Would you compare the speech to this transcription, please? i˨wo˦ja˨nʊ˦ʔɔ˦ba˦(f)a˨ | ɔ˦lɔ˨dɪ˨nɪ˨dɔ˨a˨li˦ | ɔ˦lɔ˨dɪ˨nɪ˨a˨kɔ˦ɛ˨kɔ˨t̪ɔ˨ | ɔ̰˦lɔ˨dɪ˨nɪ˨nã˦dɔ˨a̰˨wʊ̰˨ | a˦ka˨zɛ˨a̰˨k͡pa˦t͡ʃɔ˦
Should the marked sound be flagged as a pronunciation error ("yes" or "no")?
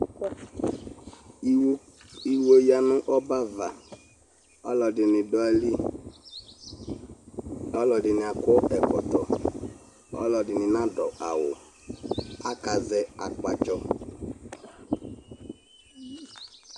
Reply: yes